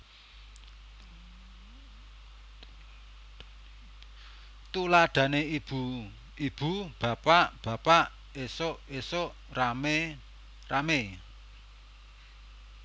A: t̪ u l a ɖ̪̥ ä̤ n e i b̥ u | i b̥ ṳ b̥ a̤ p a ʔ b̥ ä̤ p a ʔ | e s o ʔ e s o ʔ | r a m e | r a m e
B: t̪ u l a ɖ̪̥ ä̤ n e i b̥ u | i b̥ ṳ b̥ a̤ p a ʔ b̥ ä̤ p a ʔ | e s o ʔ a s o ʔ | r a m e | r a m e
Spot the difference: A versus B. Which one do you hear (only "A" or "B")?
A